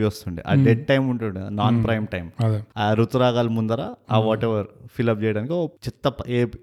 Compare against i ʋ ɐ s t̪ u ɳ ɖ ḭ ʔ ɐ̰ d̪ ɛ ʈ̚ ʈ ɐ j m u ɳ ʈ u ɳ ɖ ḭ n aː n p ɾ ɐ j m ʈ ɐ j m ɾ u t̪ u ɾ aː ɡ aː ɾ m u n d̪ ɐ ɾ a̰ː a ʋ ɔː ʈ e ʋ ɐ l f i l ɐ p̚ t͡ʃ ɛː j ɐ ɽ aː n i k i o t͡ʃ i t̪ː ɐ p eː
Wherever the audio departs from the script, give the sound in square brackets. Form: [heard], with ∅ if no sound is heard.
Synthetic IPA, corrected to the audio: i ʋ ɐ s t̪ u ɳ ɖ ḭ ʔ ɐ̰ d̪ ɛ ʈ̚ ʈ ɐ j m u ɳ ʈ u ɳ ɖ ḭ n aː n p ɾ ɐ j m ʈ ɐ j m ɾ u t̪ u ɾ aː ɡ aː [l] m u n d̪ ɐ ɾ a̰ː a ʋ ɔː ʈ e ʋ ɐ [ɾ] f i l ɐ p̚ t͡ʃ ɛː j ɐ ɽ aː n i k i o t͡ʃ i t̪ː ɐ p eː